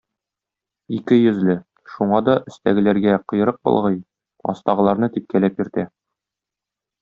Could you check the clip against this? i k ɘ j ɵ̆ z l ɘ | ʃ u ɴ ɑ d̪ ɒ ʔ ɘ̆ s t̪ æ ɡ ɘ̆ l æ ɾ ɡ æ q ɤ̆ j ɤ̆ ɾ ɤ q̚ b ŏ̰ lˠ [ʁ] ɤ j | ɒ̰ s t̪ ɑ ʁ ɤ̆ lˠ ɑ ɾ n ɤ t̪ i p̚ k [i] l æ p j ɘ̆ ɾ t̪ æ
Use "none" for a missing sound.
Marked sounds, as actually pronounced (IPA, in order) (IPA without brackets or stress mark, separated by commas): ʁ, æ